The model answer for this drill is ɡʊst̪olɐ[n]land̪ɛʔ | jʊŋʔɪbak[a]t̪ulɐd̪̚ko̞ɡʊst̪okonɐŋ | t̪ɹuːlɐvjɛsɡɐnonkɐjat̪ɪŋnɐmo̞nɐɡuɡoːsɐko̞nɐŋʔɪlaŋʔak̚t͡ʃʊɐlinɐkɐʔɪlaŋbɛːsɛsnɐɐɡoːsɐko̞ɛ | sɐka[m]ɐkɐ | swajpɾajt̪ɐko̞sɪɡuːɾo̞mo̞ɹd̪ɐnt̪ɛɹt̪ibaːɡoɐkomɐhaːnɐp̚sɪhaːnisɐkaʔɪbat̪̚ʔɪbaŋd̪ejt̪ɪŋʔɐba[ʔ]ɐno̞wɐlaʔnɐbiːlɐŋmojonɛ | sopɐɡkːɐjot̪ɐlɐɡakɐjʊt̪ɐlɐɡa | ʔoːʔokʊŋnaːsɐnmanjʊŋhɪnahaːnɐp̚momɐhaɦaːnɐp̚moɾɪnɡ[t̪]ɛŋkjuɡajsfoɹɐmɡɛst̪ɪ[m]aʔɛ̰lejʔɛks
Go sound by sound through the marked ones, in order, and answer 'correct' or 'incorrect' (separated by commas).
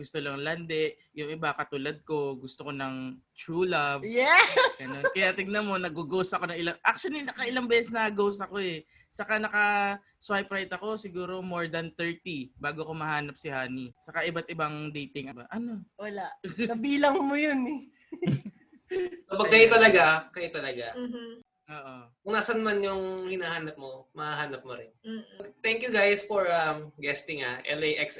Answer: incorrect, incorrect, incorrect, correct, correct, incorrect